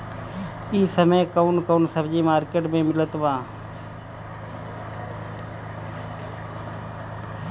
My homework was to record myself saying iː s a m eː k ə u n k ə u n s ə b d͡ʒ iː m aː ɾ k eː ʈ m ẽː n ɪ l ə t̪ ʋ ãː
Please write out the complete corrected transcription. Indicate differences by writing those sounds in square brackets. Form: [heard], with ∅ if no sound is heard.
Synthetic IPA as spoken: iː s [ə] m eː k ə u n k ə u n s ə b d͡ʒ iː m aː ɾ k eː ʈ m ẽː [m] ɪ l ə t̪ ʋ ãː